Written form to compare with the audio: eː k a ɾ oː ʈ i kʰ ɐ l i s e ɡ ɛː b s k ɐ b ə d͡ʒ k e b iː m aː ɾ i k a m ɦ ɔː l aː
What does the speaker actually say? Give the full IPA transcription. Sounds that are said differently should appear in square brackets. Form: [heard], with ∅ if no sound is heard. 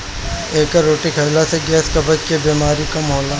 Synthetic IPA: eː k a ɾ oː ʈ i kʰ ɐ l [a] s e ɡ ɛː [∅] s k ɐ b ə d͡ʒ k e b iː m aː ɾ i k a m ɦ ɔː l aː

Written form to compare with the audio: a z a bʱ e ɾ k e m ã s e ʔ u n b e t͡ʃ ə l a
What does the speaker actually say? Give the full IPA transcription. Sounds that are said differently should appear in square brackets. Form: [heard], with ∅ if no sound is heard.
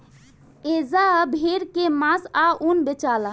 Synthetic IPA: [e] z a bʱ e ɾ k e m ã s [a] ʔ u n b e t͡ʃ [a] l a

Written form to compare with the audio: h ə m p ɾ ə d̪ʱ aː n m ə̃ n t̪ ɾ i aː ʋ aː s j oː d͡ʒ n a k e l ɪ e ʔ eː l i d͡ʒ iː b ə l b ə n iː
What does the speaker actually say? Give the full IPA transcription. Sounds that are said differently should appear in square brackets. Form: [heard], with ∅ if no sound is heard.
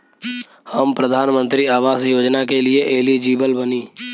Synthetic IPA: h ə m p ɾ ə d̪ʱ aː n m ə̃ n t̪ ɾ i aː ʋ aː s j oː d͡ʒ n a k e l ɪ e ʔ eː l i d͡ʒ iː b ə l b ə n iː

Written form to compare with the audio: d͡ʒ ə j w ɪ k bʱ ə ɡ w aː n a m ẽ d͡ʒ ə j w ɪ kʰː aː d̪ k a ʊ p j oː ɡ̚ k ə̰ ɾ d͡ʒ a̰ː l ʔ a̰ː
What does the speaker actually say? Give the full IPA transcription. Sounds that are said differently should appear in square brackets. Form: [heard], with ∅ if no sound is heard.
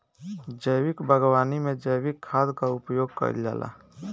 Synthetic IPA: d͡ʒ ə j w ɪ k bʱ ə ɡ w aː n [i] m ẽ d͡ʒ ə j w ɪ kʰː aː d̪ k a ʊ p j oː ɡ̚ k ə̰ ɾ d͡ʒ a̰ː l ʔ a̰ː

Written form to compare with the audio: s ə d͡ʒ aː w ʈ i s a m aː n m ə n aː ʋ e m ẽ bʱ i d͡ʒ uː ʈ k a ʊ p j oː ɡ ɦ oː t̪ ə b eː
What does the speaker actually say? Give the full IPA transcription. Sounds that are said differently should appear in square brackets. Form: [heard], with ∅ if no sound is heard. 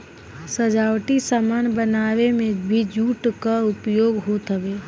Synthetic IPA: s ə d͡ʒ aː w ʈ i s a m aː n [b] ə n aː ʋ e m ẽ bʱ i d͡ʒ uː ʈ k a ʊ p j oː ɡ ɦ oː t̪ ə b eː

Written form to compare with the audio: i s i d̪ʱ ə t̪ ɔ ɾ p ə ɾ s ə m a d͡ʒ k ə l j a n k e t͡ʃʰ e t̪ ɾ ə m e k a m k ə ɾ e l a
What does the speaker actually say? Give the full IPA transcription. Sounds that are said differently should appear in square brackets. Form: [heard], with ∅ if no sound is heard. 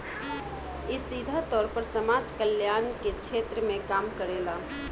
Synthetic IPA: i s i d̪ʱ ə t̪ ɔ ɾ p ə ɾ s ə m a d͡ʒ k ə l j a n k e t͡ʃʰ e t̪ ɾ ə m e k a m k ə ɾ e l a

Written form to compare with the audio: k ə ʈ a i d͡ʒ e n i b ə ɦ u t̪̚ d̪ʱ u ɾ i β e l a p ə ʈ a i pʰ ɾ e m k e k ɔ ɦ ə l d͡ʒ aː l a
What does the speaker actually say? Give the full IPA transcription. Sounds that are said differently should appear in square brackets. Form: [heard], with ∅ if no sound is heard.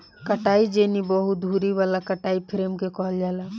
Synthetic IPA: k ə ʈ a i d͡ʒ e n i b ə ɦ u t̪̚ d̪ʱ u ɾ i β [a] l a [k] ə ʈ a i pʰ ɾ e m k e k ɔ ɦ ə l d͡ʒ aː l a

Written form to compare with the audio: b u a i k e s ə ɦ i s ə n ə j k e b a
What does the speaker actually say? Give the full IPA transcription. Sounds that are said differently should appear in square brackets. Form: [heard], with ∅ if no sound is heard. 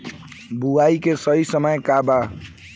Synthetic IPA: b u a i k e s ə ɦ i s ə [m] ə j k [a] b a

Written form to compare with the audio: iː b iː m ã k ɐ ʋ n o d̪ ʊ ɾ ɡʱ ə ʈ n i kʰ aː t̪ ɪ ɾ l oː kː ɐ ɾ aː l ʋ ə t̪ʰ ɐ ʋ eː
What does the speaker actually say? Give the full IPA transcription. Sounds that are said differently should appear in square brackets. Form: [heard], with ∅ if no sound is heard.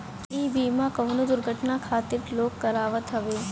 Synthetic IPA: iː b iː m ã k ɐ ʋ n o d̪ ʊ ɾ ɡʱ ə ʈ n [a] kʰ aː t̪ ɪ ɾ l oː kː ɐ ɾ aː [∅] ʋ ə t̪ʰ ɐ ʋ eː

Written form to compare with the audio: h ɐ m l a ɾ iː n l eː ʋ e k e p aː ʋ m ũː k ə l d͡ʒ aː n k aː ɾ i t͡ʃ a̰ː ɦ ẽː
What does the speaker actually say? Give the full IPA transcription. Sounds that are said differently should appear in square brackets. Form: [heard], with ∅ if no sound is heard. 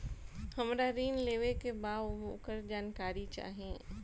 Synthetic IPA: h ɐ m [ɾ] a ɾ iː n l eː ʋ e k e [b] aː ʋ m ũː k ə [ɾ] d͡ʒ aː n k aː ɾ i t͡ʃ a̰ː ɦ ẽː

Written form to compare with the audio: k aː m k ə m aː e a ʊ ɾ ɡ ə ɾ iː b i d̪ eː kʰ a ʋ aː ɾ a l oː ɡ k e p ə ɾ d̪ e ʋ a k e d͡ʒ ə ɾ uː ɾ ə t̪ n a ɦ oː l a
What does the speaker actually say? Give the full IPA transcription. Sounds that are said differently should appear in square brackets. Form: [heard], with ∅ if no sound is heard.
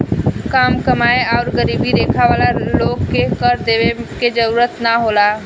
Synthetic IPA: k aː m k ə m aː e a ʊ ɾ ɡ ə ɾ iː b i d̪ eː kʰ a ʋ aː [l] a l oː ɡ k e [k] ə ɾ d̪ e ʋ [e] k e d͡ʒ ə ɾ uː ɾ ə t̪ n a ɦ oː l a

